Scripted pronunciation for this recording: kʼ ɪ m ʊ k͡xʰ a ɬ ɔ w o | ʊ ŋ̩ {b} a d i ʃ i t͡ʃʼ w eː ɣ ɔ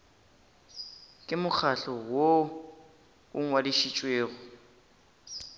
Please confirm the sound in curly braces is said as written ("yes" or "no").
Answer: no